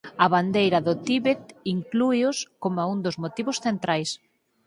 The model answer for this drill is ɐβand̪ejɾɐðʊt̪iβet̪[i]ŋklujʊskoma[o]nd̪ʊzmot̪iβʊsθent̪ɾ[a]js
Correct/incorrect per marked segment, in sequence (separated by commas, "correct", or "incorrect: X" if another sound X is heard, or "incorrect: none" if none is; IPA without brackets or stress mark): correct, incorrect: u, correct